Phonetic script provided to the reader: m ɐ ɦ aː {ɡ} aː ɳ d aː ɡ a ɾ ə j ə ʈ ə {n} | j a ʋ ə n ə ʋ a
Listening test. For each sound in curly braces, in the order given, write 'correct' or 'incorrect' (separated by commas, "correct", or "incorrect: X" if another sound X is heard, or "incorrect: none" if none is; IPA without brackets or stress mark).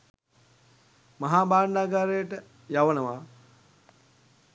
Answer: incorrect: b, incorrect: none